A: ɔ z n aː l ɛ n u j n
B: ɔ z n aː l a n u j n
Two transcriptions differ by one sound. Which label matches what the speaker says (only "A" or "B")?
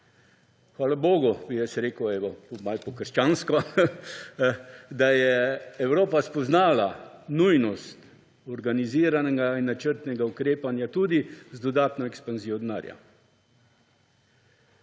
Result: B